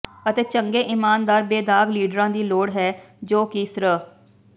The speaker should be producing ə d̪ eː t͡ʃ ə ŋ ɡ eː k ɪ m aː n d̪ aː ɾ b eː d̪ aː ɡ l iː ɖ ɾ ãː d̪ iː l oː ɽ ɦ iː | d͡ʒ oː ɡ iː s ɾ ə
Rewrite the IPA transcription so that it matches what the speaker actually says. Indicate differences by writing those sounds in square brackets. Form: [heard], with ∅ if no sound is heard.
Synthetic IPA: ə [t̪] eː t͡ʃ ə ŋ ɡ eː [ʔ] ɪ m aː n d̪ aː ɾ b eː d̪ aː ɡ l iː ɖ ɾ ãː d̪ iː l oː ɽ ɦ [ɛː] | d͡ʒ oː [k] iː s ɾ ə